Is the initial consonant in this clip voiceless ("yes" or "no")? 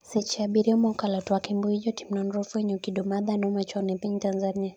yes